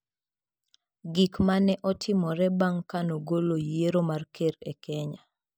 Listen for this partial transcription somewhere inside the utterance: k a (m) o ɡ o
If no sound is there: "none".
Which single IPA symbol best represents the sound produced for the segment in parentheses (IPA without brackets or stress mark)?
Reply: n